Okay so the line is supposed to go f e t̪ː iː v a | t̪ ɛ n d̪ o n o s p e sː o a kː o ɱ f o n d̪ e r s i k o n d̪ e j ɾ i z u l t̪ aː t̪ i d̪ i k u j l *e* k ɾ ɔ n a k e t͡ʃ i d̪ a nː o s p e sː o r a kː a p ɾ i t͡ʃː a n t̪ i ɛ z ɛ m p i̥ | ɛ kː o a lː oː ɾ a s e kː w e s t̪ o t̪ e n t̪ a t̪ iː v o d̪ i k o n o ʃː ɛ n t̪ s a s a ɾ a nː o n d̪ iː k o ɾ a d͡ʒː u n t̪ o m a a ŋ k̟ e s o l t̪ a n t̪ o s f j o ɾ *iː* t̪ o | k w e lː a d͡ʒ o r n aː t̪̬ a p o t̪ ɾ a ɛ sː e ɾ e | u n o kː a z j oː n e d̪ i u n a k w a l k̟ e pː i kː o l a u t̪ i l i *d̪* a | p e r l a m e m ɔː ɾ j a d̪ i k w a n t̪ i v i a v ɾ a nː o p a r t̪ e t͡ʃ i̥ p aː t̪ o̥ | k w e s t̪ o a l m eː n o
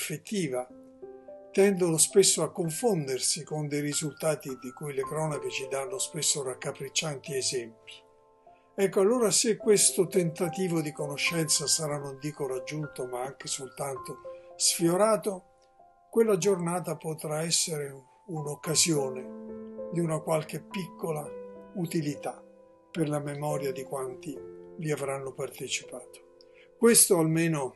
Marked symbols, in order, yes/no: yes, no, no

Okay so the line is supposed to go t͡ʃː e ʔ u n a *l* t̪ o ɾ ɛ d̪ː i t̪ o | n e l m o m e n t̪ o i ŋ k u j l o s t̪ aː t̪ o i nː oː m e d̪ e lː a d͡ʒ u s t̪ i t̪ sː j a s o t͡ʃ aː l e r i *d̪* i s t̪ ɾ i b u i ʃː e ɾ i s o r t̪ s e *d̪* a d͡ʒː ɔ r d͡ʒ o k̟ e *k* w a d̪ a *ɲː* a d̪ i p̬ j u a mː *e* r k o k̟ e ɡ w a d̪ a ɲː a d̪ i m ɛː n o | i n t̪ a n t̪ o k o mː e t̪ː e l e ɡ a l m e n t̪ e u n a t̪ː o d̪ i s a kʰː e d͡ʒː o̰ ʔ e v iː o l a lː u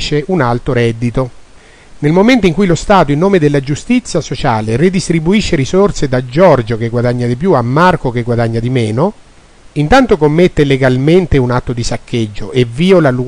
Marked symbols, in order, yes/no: yes, yes, yes, no, yes, no

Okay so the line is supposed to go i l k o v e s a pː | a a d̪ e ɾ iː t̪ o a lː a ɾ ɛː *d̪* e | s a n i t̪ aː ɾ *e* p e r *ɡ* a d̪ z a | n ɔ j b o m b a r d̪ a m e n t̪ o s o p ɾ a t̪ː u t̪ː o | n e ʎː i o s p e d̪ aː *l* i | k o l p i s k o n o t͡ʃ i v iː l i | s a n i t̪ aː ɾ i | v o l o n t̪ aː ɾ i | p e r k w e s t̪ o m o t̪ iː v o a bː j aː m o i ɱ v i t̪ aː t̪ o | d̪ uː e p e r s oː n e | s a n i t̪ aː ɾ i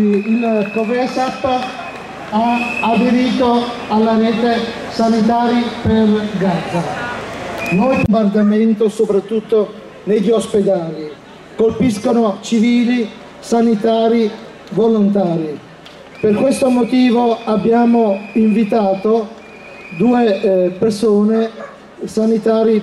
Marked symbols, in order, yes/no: no, no, yes, yes

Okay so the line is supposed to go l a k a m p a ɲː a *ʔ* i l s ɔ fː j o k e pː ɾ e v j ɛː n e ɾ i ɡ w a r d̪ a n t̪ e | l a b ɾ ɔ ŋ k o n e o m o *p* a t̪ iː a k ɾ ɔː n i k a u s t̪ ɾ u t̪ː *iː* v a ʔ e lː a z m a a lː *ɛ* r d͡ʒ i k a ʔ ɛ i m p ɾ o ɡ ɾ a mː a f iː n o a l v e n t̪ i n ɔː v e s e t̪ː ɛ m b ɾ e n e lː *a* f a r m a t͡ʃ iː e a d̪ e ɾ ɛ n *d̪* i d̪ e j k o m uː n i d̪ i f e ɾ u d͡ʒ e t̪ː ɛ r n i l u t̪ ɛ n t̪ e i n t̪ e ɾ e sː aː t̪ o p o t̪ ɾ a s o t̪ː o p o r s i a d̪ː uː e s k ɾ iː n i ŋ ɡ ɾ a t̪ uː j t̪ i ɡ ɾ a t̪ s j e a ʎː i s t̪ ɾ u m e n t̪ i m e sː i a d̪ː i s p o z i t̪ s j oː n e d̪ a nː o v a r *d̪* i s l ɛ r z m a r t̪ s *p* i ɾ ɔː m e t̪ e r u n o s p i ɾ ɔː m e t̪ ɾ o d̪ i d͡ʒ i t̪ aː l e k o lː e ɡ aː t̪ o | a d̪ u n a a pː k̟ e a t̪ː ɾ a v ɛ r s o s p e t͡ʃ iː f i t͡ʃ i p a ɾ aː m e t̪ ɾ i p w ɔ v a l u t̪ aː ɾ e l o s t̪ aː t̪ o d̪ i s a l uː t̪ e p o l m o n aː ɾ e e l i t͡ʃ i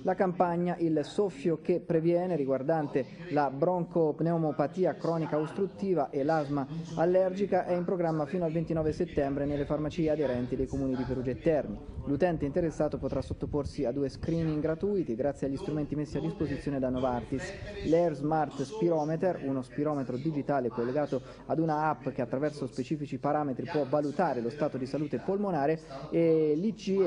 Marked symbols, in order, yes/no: yes, yes, yes, yes, no, no, no, yes

